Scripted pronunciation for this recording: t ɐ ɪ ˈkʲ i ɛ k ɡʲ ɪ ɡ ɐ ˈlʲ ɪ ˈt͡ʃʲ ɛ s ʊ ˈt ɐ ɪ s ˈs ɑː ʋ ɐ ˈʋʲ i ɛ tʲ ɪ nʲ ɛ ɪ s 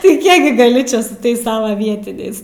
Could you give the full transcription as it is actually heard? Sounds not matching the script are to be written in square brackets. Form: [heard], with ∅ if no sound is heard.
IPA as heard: t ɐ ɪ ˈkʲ i ɛ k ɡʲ ɪ ɡ ɐ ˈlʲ ɪ ˈt͡ʃʲ ɛ s ʊ ˈt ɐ ɪ s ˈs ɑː ʋ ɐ ˈʋʲ i ɛ tʲ ɪ nʲ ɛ ɪ s